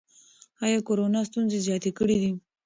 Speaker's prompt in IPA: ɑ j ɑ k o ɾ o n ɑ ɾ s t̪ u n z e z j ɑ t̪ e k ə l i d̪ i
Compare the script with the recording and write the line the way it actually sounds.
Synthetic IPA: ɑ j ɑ k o ɾ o n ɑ s t̪ u n z e z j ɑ t̪ e k ə ɽ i d̪ i